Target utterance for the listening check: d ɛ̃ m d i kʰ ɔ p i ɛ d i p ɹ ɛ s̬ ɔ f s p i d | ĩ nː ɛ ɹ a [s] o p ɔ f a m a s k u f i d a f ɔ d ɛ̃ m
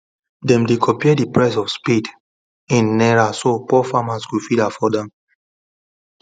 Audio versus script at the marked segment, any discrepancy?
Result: no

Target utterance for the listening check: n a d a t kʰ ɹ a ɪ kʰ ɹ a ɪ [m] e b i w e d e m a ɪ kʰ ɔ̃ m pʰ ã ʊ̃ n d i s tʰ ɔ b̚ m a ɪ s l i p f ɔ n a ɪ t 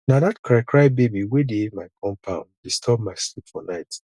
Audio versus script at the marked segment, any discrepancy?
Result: yes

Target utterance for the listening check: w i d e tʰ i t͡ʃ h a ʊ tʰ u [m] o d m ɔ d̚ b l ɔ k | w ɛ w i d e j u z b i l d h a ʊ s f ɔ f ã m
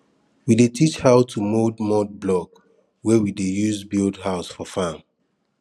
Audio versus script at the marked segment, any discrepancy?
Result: no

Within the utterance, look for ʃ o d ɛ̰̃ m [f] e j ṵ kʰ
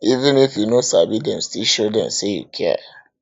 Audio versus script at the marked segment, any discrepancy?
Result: yes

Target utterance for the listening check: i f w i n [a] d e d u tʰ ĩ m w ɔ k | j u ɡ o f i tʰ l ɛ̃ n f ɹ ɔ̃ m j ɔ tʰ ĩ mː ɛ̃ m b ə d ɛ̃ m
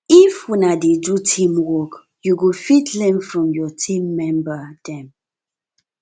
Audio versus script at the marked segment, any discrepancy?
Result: no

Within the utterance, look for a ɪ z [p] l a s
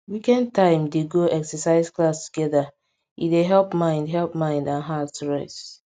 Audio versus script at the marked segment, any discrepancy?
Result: yes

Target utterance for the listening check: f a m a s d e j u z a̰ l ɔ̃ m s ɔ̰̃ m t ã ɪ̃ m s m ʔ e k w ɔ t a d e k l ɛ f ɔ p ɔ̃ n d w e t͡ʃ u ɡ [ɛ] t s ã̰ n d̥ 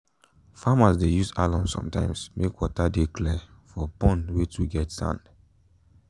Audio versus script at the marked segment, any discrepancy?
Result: no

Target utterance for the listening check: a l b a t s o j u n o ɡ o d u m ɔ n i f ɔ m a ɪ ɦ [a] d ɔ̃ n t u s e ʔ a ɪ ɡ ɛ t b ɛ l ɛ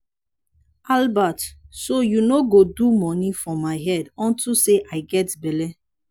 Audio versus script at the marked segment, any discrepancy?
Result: yes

